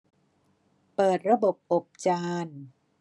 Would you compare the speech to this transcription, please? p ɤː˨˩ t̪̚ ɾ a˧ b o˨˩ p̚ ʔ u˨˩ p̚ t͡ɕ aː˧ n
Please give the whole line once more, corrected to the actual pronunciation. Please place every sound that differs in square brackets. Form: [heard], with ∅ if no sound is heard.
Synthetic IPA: p ɤː˨˩ t̪̚ ɾ a˧ b o˨˩ p̚ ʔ [o˨˩] p̚ t͡ɕ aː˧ n